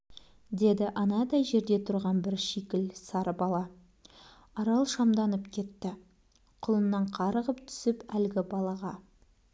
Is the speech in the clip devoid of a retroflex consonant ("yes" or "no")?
yes